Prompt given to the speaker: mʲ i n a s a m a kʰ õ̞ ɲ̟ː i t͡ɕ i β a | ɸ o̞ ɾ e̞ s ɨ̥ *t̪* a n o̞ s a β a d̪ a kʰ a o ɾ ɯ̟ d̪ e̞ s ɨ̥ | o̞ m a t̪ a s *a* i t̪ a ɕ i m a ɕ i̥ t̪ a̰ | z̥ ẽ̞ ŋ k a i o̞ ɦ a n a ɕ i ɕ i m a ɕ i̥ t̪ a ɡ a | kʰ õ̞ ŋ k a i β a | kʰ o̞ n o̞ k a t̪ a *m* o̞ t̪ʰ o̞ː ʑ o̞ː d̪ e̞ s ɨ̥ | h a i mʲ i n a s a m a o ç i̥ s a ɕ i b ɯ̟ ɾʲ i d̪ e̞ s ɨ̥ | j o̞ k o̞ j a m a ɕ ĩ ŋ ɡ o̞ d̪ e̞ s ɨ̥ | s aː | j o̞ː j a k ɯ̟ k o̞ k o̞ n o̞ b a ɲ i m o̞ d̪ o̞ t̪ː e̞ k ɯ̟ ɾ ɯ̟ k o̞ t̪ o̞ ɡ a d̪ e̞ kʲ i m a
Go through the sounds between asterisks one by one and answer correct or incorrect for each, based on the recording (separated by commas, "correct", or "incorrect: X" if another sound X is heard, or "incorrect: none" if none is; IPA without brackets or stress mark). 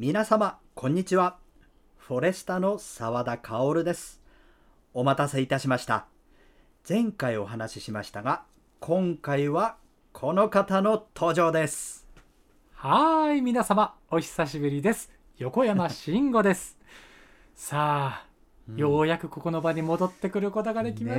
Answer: correct, incorrect: e, incorrect: n